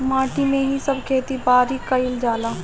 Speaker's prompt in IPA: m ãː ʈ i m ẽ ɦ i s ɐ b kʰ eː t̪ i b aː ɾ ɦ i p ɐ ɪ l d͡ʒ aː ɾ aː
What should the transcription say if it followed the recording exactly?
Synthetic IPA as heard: m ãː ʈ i m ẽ ɦ i s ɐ b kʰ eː t̪ i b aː ɾ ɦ i k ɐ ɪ l d͡ʒ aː l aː